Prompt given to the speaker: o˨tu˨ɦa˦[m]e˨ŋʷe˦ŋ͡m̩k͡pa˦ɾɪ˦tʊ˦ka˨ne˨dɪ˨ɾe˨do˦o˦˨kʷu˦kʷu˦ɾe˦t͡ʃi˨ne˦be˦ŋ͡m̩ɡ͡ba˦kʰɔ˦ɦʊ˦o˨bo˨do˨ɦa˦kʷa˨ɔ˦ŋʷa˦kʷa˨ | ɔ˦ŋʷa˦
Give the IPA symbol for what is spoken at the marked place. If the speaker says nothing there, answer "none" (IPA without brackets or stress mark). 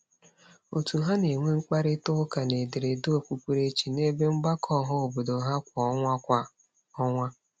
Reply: n